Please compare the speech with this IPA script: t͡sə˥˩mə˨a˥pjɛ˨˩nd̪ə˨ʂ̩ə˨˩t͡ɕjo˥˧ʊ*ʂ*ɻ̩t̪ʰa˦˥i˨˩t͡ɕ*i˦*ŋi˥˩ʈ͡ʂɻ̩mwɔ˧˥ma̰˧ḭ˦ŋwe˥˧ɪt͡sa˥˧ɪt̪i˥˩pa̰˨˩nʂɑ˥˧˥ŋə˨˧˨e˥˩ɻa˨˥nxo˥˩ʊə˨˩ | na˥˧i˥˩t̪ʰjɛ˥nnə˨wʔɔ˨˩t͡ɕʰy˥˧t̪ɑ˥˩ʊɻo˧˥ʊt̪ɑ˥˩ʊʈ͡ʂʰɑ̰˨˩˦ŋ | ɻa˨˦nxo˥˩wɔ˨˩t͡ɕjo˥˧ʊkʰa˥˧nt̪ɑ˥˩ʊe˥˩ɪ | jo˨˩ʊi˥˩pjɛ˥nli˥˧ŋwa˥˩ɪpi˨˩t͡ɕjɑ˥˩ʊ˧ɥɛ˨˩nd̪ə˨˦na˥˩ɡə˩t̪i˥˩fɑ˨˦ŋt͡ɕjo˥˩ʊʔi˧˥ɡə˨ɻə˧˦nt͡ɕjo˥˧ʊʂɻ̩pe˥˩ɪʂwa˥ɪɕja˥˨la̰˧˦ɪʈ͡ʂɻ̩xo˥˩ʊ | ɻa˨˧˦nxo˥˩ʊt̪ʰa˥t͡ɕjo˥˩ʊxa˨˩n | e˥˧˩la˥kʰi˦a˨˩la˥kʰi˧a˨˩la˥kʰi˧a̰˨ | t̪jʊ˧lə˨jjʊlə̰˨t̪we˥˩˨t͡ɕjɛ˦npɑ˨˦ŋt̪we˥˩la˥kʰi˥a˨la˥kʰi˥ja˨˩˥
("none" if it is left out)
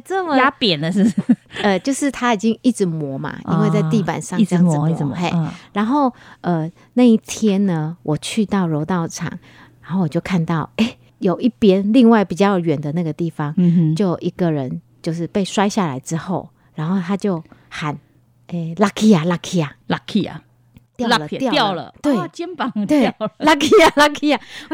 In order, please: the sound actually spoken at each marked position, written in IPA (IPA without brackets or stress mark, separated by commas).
ʂ, i˦